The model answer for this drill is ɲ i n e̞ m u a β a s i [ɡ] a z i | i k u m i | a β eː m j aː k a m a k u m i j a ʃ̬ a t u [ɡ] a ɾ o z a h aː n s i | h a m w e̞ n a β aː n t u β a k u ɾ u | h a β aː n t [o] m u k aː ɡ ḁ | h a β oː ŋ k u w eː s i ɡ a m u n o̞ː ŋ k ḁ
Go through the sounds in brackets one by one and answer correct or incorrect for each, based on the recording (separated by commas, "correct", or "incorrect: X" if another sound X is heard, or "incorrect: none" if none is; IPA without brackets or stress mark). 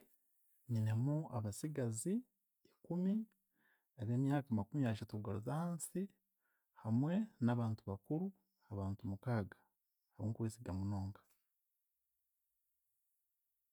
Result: correct, correct, incorrect: u